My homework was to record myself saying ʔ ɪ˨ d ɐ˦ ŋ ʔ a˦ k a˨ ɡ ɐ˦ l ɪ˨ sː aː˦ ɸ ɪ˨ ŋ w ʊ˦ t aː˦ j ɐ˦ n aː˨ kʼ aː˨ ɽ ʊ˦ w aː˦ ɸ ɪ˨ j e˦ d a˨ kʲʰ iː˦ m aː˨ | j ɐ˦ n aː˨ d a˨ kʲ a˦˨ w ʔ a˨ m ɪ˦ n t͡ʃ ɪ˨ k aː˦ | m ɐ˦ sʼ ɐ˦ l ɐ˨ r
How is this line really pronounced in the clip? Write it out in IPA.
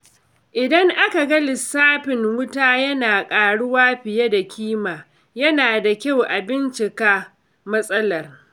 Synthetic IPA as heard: ʔ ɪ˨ d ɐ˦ ŋ ʔ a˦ k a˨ ɡ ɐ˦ l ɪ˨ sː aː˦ ɸ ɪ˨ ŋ w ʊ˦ t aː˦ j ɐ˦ n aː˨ kʼ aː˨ ɽ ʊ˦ w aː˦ ɸ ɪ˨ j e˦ d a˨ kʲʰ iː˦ m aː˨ | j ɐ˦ n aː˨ d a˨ kʲ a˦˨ w ʔ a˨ b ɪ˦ n t͡ʃ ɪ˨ k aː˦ | m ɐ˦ sʼ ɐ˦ l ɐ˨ r